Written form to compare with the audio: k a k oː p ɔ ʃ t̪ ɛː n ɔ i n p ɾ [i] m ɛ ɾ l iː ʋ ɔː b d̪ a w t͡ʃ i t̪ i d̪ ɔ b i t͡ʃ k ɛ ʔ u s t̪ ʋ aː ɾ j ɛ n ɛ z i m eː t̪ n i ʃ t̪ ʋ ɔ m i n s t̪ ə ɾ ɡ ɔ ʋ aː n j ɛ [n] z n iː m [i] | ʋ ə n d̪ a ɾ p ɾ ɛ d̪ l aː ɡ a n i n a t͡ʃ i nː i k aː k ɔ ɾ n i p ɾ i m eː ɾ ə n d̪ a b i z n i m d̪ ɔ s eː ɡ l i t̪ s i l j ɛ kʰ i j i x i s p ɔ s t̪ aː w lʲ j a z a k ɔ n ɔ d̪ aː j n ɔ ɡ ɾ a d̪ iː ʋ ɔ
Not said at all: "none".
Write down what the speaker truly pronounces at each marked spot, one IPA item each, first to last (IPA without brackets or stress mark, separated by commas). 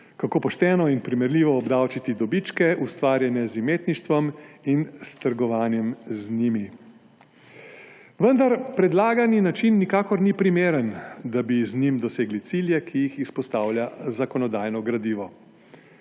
i, m, i